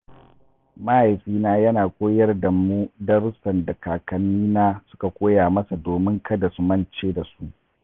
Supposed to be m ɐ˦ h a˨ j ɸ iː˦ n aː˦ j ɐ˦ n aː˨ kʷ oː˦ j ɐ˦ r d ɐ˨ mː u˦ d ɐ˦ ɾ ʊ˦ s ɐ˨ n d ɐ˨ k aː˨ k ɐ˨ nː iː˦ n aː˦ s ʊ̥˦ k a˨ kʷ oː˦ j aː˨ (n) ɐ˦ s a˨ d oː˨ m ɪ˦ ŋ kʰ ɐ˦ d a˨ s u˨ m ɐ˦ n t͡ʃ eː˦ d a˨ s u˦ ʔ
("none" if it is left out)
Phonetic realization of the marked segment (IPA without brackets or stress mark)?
m